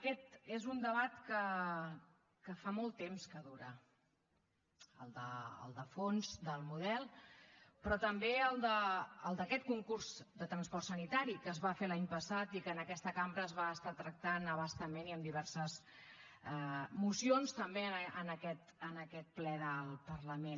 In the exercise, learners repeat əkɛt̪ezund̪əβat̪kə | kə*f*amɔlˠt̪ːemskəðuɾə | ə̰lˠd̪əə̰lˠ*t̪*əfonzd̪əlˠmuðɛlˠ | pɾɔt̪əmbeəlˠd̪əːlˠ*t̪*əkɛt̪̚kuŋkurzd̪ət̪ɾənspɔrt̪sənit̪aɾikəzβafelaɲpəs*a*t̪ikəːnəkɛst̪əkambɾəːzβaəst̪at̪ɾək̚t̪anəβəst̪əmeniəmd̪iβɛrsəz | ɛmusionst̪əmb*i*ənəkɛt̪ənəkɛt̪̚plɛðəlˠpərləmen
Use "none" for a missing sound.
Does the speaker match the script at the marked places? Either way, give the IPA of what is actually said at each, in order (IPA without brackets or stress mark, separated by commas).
f, d̪, d̪, a, e